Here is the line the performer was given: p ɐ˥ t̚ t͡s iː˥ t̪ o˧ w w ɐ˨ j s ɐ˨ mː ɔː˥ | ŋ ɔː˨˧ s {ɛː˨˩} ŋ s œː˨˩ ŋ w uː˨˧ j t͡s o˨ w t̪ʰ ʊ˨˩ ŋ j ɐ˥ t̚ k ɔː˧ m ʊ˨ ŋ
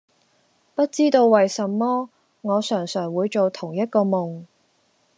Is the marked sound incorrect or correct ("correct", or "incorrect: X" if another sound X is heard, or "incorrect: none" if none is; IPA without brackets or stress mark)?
incorrect: œː˨˩